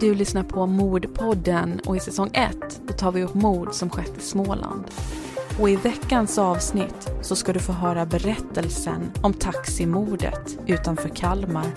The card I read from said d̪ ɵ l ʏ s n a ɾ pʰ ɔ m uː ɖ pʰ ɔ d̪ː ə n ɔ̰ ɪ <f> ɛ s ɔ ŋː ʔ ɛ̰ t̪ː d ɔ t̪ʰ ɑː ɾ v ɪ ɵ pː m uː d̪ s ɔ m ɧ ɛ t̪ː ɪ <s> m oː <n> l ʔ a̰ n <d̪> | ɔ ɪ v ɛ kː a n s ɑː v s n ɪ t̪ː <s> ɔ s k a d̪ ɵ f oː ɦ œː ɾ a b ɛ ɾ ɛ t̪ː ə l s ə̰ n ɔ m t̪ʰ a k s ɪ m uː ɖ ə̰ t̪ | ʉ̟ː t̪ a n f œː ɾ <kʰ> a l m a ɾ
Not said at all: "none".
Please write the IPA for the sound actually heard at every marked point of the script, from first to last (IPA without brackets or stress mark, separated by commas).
s, s, none, d̪, s, kʰ